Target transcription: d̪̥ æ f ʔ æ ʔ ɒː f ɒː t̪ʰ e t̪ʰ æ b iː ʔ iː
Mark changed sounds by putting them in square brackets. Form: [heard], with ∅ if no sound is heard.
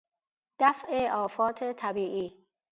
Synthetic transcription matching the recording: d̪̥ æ f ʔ [e] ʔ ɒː f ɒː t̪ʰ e t̪ʰ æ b iː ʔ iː